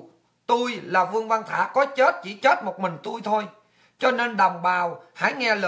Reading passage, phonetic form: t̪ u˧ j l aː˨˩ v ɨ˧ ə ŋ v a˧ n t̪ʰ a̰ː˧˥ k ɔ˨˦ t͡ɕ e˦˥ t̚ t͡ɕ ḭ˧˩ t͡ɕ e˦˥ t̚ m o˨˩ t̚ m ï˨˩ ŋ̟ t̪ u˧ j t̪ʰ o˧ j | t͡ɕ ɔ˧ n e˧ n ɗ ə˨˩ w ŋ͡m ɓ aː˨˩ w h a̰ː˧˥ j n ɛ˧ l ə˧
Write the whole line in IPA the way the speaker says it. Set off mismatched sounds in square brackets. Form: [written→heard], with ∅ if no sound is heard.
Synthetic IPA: t̪ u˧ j l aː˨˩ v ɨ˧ ə ŋ v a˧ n t̪ʰ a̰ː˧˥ k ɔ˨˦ t͡ɕ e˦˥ t̚ t͡ɕ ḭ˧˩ t͡ɕ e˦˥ t̚ m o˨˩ t̚ m ï˨˩ ŋ̟ t̪ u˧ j t̪ʰ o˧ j | t͡ɕ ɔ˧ n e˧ n ɗ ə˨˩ w ŋ͡m ɓ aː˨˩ w h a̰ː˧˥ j [n→ŋ] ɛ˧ l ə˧